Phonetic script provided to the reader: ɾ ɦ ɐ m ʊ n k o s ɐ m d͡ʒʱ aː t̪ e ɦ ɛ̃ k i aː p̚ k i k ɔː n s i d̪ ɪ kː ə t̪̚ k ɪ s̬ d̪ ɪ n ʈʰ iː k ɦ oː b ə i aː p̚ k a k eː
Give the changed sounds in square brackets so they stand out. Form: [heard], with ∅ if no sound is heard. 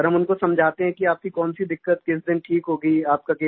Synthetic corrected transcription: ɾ ɦ ɐ m ʊ n k o s ɐ m d͡ʒʱ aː t̪ e ɦ ɛ̃ k i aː p̚ k i k ɔː n s i d̪ ɪ kː ə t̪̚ k ɪ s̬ d̪ ɪ n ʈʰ iː k ɦ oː [ɡ] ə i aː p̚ k a k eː